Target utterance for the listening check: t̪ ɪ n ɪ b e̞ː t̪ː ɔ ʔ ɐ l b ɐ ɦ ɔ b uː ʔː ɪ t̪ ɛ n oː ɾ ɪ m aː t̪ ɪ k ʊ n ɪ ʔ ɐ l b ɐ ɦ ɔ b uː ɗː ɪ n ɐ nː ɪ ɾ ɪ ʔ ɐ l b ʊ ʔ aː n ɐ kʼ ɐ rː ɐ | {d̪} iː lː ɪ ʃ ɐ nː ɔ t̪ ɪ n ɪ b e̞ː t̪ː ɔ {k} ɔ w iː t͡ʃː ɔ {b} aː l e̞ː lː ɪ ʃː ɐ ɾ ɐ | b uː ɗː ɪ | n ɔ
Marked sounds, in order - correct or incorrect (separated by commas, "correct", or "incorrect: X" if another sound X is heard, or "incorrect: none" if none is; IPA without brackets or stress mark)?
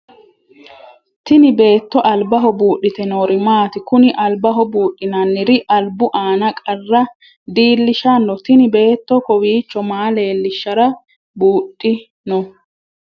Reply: correct, correct, incorrect: m